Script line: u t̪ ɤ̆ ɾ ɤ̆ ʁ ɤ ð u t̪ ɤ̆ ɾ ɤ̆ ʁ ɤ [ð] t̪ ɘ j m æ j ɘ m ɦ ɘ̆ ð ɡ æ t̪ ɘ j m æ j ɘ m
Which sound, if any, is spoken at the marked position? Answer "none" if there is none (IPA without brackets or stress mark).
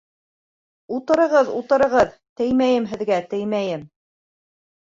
ð